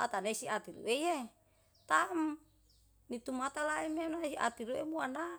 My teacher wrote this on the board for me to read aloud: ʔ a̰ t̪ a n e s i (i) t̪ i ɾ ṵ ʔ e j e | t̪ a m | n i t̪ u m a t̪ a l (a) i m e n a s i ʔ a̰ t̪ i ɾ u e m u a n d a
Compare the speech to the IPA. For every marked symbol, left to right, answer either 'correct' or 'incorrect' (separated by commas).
incorrect, correct